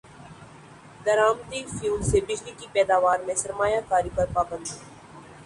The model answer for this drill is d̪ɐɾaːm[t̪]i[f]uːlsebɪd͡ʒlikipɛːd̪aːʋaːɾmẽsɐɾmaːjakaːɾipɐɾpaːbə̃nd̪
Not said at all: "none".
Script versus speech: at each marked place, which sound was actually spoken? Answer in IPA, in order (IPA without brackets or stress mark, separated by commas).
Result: t̪, f